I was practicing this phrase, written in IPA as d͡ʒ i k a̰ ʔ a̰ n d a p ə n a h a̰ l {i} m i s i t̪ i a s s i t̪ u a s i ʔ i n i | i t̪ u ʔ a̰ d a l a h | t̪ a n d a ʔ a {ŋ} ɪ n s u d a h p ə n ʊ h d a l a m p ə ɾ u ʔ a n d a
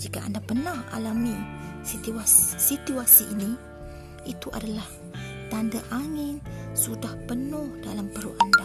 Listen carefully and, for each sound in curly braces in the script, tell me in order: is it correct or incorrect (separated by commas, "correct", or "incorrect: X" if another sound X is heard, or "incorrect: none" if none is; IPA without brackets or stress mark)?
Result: incorrect: a, correct